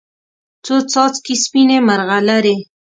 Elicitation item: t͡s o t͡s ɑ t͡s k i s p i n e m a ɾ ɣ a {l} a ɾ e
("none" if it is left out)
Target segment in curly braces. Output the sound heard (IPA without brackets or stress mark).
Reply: l